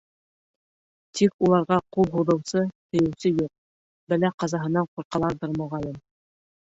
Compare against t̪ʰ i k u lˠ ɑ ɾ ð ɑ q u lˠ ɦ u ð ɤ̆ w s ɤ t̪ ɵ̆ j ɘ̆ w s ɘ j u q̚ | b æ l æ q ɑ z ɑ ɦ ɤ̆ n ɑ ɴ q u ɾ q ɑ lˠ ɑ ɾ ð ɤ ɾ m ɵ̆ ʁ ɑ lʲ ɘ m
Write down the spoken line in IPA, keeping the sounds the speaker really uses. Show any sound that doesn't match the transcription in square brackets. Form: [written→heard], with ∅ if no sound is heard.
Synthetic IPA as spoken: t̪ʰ i k u lˠ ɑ ɾ [ð→ʁ] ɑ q u lˠ ɦ u ð ɤ̆ w s ɤ t̪ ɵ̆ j ɘ̆ w s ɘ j u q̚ | b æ l æ q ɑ z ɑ ɦ ɤ̆ n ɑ ɴ q u ɾ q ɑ lˠ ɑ ɾ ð ɤ ɾ m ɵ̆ ʁ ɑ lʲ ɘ m

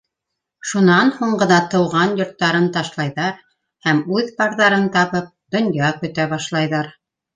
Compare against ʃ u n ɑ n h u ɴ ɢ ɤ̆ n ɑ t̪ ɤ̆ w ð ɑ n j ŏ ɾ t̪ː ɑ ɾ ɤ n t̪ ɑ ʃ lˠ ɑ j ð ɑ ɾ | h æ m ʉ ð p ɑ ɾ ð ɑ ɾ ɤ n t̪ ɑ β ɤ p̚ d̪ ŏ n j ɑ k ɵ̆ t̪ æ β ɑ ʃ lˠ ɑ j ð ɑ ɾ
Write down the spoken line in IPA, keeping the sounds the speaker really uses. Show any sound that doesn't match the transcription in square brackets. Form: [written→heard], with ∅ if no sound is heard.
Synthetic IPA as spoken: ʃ u n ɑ n h u ɴ ɢ ɤ̆ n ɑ t̪ ɤ̆ w [ð→ʁ] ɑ n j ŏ ɾ t̪ː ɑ ɾ ɤ n t̪ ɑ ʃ lˠ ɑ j ð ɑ ɾ | h æ m ʉ ð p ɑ ɾ ð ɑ ɾ ɤ n t̪ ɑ β ɤ p̚ d̪ ŏ n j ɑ k ɵ̆ t̪ æ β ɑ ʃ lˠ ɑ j ð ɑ ɾ

